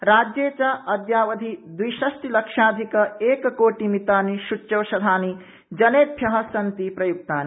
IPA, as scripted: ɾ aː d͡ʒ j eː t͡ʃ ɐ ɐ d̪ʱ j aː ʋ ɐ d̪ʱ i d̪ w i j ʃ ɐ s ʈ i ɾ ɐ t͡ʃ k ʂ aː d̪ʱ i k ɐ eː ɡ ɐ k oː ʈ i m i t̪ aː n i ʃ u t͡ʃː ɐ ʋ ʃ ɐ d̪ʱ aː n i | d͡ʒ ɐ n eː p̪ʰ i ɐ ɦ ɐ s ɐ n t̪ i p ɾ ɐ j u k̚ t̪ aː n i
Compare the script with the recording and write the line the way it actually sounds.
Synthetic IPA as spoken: ɾ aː d͡ʒ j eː t͡ʃ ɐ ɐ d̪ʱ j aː ʋ ɐ d̪ʱ i d̪ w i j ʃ ɐ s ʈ i l ɐ k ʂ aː d̪ʱ i k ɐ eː k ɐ k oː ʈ i m i t̪ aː n i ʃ u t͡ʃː ɐ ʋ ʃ ɐ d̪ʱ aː n i | d͡ʒ ɐ n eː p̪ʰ j ɐ ɦ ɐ s ɐ n t̪ i p ɾ ɐ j u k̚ t̪ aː n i

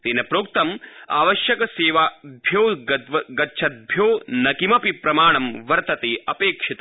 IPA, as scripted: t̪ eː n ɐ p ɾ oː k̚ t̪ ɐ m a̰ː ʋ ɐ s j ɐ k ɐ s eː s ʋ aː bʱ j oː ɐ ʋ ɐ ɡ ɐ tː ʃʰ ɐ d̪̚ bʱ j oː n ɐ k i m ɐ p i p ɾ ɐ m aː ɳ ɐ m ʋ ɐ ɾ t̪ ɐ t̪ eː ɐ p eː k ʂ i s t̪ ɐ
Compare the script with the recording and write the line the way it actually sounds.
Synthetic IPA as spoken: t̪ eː n ɐ p ɾ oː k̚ t̪ ɐ m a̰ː ʋ ɐ ʃ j ɐ k ɐ s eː ʋ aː bʱ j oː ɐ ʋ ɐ ɡ ɐ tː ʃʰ ɐ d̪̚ bʱ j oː n ɐ k i m ɐ p i p ɾ ɐ m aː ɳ ɐ m ʋ ɐ ɾ t̪ ɐ t̪ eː ɐ p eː k ʂ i t̪ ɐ

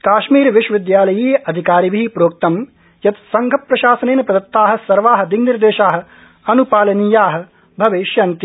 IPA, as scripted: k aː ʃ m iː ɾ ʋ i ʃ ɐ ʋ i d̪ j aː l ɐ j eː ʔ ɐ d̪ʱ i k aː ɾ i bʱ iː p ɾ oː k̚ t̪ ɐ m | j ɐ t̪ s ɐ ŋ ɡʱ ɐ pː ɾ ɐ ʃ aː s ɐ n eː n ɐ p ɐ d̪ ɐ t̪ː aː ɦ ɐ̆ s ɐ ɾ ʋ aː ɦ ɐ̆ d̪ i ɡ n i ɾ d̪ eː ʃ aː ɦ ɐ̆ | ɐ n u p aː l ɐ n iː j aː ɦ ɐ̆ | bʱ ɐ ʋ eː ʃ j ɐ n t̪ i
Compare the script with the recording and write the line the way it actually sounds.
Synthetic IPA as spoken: k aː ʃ m iː ɾ ʋ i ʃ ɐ ʋ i d̪ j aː l ɐ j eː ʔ ɐ d̪ʱ i k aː ɾ i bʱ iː p ɾ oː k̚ t̪ ɐ m | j ɐ t̪ s ɐ ŋ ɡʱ ɐ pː ɾ ɐ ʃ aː s ɐ n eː n ɐ p ɐ d̪ ɐ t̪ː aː ɦ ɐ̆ s ɐ ɾ ʋ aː ɦ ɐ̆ d̪ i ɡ n i ɾ d̪ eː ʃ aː ɦ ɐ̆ | ɐ n u p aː l ɐ n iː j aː ɦ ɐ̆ | bʱ ɐ ʋ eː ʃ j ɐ n t̪ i

